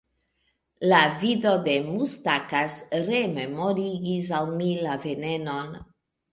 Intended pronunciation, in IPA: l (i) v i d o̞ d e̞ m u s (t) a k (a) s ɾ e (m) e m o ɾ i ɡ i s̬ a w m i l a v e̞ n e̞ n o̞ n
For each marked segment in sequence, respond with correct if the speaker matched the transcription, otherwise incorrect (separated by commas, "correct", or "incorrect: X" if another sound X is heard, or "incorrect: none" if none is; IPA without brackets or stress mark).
incorrect: a, correct, correct, correct